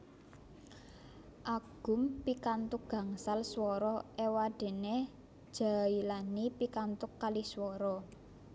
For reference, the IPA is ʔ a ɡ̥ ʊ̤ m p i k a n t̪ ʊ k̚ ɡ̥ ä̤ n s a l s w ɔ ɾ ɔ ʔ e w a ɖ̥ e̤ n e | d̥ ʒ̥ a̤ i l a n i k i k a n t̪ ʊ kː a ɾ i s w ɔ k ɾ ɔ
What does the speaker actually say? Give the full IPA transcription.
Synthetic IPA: ʔ a ɡ̥ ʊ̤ m p i k a n t̪ ʊ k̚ ɡ̥ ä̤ ŋ s a l s w ɔ ɾ ɔ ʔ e w a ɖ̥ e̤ n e | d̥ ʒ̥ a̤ i l a n i p i k a n t̪ ʊ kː a l i s w ɔ ɾ ɔ